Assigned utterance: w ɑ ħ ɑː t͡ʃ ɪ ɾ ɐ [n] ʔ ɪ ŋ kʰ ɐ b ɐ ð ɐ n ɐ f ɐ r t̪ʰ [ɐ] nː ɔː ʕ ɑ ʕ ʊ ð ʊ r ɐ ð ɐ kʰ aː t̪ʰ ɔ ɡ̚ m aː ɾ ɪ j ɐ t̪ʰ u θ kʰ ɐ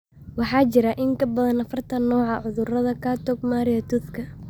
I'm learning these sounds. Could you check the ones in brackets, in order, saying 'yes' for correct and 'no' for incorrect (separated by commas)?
no, yes